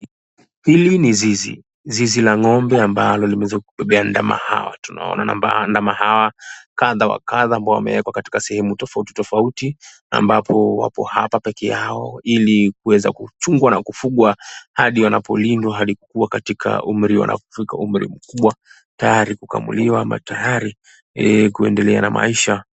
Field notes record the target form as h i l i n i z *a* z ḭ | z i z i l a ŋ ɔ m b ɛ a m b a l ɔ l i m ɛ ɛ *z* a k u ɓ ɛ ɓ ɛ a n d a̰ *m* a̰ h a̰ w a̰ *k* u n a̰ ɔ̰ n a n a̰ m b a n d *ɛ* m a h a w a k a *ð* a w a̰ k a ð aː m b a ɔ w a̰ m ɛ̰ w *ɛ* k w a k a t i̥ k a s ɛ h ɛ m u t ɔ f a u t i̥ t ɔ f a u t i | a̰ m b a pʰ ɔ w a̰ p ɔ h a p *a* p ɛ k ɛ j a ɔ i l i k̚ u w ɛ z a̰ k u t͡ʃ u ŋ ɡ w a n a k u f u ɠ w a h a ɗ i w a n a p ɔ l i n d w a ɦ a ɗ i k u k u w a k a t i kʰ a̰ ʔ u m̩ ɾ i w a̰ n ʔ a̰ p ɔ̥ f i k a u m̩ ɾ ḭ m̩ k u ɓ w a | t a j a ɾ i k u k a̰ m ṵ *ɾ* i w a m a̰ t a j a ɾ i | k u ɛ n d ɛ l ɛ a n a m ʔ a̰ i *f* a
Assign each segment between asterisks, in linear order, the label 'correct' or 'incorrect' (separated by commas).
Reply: incorrect, correct, correct, incorrect, incorrect, correct, correct, correct, incorrect, incorrect